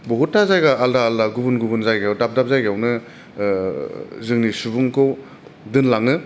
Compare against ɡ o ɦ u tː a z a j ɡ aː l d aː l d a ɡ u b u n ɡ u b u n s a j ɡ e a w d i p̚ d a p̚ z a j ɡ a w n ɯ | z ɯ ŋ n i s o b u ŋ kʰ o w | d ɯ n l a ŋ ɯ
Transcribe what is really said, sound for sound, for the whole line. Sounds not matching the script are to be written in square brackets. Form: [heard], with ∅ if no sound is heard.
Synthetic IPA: [b] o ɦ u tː a z a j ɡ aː l d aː l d a ɡ u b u n ɡ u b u n [z] a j ɡ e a w d [a] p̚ d a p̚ z a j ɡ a w n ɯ | z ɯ ŋ n i s [u] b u ŋ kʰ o w | d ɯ n l a ŋ ɯ